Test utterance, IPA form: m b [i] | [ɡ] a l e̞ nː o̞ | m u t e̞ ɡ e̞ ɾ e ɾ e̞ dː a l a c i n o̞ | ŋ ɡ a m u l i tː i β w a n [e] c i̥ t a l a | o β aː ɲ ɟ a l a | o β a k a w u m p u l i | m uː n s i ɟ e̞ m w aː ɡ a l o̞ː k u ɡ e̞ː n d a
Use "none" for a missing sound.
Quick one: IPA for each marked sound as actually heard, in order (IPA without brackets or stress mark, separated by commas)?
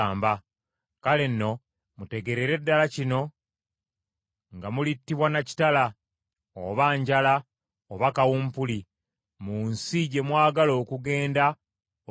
a, k, a